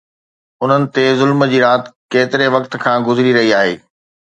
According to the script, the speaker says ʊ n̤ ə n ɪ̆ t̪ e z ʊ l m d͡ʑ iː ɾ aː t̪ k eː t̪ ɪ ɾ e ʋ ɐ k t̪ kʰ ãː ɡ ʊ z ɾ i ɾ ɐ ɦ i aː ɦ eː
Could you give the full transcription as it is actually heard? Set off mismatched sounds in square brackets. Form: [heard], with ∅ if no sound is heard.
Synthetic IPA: ʊ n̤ ə n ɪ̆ t̪ e z ʊ l m d͡ʑ iː ɾ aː t̪ k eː t̪ ɪ ɾ e ʋ ɐ k t̪ kʰ ãː ɡ ʊ z ɾ i ɾ ɐ ɦ i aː ɦ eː